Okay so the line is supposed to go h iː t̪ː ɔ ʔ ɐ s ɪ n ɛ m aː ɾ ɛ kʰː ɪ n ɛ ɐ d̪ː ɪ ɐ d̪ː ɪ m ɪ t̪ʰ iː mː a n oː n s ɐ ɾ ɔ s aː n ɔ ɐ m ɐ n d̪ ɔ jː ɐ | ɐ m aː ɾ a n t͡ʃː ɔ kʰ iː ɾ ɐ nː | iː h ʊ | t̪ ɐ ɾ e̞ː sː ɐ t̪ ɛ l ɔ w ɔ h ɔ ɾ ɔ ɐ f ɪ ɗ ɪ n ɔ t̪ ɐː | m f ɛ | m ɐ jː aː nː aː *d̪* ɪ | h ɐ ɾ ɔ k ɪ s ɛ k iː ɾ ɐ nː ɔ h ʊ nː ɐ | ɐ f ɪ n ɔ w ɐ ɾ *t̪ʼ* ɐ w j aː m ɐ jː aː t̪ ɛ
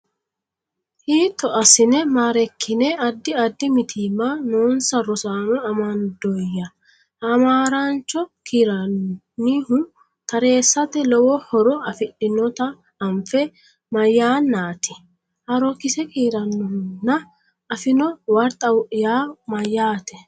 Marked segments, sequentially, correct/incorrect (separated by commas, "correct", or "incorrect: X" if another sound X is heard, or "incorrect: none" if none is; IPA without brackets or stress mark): incorrect: t̪, correct